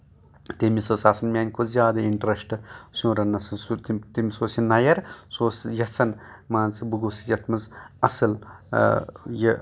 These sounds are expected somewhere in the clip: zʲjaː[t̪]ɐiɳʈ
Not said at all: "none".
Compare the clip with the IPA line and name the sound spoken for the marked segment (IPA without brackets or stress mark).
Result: d̪